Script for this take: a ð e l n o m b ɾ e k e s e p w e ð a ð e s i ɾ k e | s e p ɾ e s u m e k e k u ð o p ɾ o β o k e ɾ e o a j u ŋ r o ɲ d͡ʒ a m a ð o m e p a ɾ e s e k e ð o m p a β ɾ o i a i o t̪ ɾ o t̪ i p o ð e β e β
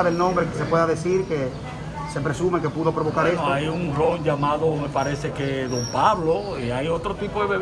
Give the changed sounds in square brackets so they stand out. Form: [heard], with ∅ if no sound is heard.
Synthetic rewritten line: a ð e l n [õ] m b ɾ e k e s e p w e ð a ð e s i ɾ k e | s e p ɾ e s u m e k e [p] u ð o p ɾ o β o k [a] ɾ e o a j u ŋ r o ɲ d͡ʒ a m a ð o m e p a ɾ e s e k e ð o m p a β [l] o i a [j] o t̪ ɾ o t̪ i p o ð e β e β